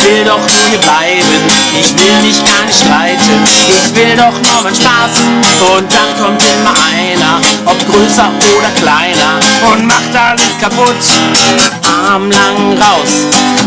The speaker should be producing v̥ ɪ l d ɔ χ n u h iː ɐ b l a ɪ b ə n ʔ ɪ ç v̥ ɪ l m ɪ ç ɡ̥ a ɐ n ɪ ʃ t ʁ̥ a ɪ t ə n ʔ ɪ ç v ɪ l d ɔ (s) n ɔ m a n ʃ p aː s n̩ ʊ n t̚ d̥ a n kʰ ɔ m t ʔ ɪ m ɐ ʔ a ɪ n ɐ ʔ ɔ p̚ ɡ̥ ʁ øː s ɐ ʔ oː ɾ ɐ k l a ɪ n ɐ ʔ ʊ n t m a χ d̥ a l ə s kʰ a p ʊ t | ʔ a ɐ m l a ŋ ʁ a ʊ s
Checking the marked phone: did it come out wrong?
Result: yes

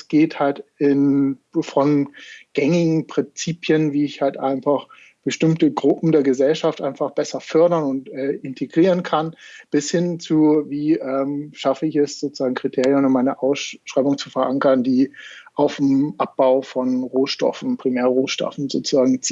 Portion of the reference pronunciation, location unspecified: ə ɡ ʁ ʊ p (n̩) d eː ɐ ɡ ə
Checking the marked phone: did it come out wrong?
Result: yes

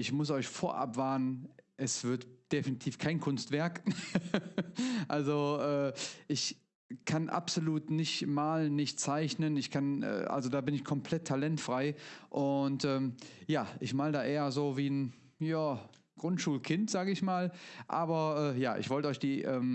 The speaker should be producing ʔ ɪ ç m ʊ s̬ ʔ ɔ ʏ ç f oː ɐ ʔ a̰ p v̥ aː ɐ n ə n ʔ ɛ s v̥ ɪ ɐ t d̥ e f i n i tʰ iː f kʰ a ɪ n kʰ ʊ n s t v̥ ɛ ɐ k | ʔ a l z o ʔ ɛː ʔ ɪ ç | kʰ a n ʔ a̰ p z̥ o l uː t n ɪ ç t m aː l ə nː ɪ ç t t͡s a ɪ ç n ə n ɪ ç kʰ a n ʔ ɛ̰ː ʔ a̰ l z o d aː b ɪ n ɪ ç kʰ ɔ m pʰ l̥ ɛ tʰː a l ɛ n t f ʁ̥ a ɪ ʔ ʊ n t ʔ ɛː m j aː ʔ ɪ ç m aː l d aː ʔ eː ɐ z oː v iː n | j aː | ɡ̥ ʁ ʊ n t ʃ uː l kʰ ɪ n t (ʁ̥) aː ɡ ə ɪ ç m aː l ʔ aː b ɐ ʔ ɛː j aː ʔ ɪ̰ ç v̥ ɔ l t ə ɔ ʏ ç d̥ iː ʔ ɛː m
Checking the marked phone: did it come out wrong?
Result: yes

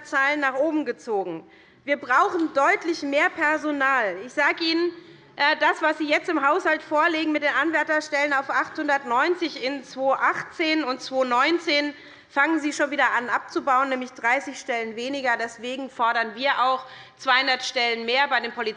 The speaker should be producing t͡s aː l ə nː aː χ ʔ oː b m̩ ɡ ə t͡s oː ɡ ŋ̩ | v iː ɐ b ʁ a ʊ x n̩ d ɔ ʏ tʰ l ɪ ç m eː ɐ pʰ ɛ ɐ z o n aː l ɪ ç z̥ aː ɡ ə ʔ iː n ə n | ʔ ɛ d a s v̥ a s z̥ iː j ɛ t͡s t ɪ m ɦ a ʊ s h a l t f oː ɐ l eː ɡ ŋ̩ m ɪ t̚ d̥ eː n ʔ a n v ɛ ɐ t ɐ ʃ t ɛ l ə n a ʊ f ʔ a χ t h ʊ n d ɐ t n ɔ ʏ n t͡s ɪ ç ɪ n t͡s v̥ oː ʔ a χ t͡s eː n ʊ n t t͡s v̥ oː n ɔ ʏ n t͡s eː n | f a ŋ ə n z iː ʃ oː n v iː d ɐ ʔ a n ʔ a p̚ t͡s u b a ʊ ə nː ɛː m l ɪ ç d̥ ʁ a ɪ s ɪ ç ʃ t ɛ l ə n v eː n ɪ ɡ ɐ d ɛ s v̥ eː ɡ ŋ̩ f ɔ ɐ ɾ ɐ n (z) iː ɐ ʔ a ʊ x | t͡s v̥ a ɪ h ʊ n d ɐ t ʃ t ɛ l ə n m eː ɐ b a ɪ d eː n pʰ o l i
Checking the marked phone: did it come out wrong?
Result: yes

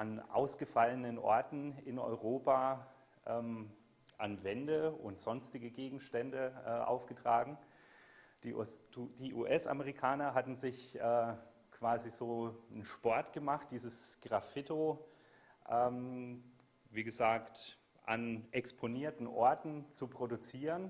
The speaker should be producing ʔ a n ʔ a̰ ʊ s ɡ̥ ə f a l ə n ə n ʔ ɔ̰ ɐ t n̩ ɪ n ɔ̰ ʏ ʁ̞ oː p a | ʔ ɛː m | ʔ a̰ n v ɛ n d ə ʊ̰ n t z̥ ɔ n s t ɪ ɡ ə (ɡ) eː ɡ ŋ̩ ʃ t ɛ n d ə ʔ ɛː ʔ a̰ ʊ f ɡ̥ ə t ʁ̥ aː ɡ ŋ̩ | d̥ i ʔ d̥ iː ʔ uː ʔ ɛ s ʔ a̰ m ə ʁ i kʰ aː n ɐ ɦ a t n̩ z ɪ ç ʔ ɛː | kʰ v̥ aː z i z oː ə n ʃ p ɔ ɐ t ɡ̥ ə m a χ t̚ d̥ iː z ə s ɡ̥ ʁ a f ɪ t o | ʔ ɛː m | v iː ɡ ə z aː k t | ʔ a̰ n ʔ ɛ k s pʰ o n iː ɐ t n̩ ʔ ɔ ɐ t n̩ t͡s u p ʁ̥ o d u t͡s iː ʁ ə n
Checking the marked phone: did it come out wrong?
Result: no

